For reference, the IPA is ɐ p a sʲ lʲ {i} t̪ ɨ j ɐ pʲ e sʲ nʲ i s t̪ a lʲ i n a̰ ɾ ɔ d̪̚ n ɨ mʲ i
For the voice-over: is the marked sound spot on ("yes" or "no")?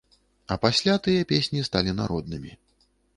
no